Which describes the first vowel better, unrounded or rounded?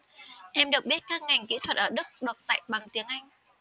unrounded